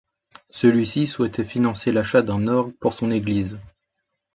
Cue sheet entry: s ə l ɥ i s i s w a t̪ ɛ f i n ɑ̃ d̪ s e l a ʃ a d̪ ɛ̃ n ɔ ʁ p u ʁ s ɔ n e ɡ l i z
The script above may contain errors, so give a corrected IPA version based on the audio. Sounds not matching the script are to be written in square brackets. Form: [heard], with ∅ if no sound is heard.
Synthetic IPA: s ə l ɥ i s i s w [ɛ] t̪ ɛ f i n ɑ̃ [∅] s e l a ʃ a d̪ ɛ̃ n ɔ ʁ p u ʁ s [ɔ̃] n e ɡ l i z